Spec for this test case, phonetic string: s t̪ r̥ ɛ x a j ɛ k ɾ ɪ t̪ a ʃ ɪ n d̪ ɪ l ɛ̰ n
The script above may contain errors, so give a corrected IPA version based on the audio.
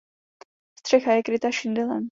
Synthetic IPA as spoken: s t̪ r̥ ɛ x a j ɛ k ɾ ɪ t̪ a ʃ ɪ n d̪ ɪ l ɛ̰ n